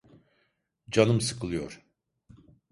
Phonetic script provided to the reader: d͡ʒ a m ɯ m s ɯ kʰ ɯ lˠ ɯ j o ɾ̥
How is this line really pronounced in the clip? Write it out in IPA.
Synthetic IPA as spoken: d͡ʒ a n ɯ m s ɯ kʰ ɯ lˠ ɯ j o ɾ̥